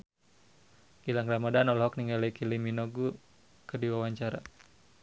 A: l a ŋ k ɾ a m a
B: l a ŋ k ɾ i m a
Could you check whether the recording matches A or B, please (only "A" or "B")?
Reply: A